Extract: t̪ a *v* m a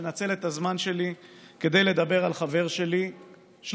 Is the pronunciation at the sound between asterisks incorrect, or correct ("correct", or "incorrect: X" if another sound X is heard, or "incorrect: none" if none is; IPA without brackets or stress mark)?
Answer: incorrect: z